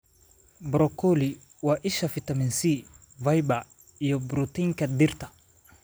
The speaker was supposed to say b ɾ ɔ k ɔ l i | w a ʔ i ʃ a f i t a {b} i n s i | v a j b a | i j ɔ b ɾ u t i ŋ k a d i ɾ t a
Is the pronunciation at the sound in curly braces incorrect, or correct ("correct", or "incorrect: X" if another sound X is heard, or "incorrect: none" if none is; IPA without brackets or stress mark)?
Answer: incorrect: m